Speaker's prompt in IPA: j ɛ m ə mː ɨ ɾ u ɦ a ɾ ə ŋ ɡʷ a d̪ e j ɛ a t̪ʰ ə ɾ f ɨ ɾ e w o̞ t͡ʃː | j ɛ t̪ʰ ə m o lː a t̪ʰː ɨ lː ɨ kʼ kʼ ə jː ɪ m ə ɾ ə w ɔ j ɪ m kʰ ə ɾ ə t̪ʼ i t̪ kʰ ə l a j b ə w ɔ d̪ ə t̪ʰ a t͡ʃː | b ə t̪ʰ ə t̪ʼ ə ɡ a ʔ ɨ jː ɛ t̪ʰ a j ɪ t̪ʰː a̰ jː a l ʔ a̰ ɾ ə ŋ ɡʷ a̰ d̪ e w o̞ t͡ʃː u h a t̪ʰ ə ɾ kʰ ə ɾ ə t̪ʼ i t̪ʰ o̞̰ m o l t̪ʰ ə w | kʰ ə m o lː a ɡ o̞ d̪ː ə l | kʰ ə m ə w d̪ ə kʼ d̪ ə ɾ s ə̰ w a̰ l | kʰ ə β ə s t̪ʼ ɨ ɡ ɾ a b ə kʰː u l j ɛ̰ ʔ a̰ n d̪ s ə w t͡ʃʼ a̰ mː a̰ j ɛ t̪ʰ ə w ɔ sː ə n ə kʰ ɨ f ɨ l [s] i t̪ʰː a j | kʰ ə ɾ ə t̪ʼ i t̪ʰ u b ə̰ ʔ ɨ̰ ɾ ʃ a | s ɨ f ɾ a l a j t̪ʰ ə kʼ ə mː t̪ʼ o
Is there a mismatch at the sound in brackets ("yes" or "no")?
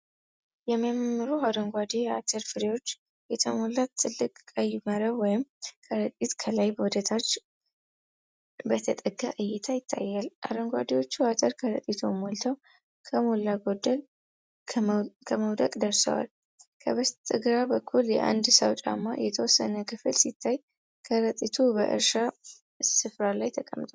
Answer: no